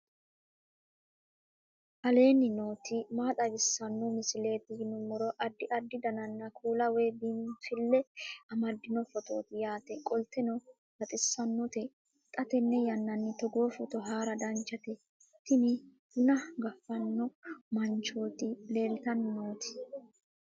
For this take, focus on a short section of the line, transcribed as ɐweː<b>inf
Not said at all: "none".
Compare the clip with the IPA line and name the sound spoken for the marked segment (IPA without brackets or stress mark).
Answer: b